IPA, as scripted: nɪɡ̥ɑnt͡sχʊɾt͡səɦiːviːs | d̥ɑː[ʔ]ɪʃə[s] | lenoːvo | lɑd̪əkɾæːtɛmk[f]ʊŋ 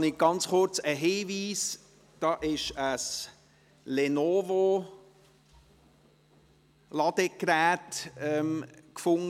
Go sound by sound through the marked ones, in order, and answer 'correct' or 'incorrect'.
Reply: correct, correct, correct

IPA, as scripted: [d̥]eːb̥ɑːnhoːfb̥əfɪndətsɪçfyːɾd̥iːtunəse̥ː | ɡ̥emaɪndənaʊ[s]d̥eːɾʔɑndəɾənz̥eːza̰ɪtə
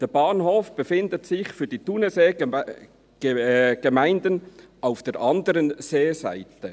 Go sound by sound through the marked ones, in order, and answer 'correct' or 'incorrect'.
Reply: correct, incorrect: f

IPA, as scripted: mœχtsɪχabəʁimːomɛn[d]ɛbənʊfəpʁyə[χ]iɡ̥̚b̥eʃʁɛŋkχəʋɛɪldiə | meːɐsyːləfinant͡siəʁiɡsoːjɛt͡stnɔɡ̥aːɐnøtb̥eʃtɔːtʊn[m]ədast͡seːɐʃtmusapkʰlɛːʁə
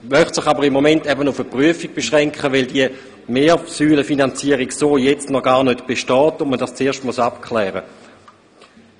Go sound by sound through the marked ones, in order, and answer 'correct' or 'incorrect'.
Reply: incorrect: t, incorrect: f, correct

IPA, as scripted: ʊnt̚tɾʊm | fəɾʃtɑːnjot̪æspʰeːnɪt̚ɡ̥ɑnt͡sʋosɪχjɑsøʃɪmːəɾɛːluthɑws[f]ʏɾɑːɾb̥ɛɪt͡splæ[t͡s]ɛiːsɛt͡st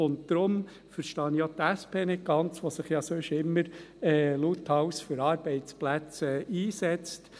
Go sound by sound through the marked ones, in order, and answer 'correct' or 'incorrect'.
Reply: correct, correct

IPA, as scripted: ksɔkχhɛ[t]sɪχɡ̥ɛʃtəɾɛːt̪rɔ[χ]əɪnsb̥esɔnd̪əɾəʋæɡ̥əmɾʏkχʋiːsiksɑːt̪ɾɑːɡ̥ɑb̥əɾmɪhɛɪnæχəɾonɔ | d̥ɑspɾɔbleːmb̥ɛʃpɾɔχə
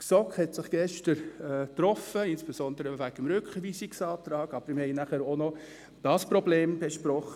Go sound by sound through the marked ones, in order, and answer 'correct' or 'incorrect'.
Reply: correct, incorrect: f

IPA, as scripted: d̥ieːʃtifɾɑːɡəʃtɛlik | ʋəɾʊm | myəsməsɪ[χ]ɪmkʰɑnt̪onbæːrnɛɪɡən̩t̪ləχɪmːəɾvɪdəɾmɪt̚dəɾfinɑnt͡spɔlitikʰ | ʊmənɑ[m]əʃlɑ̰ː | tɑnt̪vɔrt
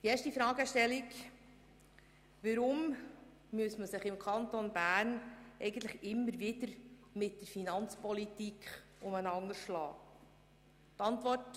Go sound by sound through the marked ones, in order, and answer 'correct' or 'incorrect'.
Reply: correct, incorrect: ŋ

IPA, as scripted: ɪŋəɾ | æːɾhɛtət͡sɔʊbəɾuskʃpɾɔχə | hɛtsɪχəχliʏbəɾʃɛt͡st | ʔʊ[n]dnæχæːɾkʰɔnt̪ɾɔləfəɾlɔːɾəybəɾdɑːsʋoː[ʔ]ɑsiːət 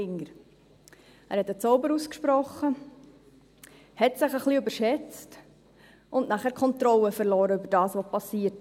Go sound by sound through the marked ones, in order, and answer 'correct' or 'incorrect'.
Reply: correct, incorrect: p

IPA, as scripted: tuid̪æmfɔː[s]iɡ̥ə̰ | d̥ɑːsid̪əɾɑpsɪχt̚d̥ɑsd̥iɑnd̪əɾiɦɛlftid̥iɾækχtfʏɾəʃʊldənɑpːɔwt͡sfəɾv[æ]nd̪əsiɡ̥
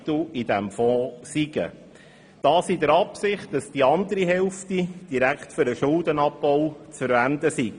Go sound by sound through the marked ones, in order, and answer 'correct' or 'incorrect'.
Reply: correct, correct

